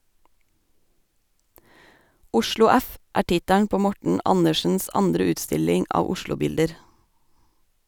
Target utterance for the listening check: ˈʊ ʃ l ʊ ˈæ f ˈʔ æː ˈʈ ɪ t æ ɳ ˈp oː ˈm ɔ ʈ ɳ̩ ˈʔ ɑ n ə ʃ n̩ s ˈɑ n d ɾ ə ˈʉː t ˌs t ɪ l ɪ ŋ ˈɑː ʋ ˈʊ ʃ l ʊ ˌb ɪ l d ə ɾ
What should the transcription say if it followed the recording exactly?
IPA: ˈʊ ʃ l ʊ ˈæ f ˈʔ æː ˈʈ ɪ t æ ɳ ˈp oː ˈm ɔ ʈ ɳ̩ ˈʔ ɑ n ə ʃ n̩ s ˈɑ n d ɾ ə ˈʉː t ˌs t ɪ l ɪ ŋ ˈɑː ʋ ˈʊ ʃ l ʊ ˌb ɪ l d ə ɾ

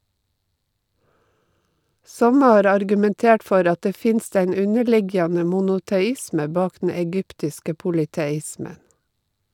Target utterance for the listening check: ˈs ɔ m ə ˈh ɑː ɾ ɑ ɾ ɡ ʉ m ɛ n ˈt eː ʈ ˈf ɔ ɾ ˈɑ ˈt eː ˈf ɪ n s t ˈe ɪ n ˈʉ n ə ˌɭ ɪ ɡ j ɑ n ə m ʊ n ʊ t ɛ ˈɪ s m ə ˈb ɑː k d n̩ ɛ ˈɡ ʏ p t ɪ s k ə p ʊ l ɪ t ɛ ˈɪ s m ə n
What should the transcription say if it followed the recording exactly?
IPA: ˈs ɔ m ə ˈh ɑː ɾ ɑ ɾ ɡ ʉ m ɛ n ˈt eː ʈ ˈf ɔ ɾ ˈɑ ˈt eː ˈf ɪ n s t ˈe ɪ n ˈʉ n ə ˌɭ ɪ ɡ j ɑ n ə m ʊ n ʊ t ɛ ˈɪ s m ə ˈb ɑː k d n̩ ɛ ˈɡ ʏ p t ɪ s k ə p ʊ l ɪ t ɛ ˈɪ s m ə n

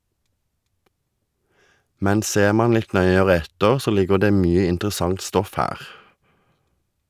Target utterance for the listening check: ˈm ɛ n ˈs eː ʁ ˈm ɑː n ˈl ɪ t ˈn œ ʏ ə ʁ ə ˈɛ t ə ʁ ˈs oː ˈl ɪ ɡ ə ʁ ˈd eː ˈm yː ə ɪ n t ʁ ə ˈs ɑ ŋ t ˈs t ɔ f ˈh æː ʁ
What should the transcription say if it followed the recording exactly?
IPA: ˈm ɛ n ˈs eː ʁ ˈm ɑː n ˈl ɪ t ˈn œ ʏ ə ʁ ə ˈɛ t ə ʁ ˈs oː ˈl ɪ ɡ ə ʁ ˈd eː ˈm yː ə ɪ n t ʁ ə ˈs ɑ ŋ t ˈs t ɔ f ˈh æː ʁ

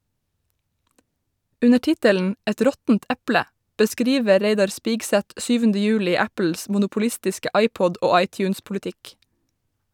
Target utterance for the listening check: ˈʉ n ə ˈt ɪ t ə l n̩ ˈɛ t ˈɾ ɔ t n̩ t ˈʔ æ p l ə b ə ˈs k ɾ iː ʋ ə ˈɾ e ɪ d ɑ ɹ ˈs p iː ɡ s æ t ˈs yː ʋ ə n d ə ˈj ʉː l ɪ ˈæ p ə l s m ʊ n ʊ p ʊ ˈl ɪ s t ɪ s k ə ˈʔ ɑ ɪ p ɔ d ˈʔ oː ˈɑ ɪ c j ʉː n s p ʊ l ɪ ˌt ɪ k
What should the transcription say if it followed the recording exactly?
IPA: ˈʉ n ə ˈt ɪ t ə l n̩ ˈɛ t ˈɾ ɔ t n̩ t ˈʔ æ p l ə b ə ˈs k ɾ iː ʋ ə ˈɾ e ɪ d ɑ ɹ ˈs p iː ɡ s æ t ˈs yː ʋ ə n d ə ˈj ʉː l ɪ ˈæ p ə l s m ʊ n ʊ p ʊ ˈl ɪ s t ɪ s k ə ˈʔ ɑ ɪ p ɔ d ˈʔ oː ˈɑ ɪ c j ʉː n s p ʊ l ɪ ˌt ɪ k

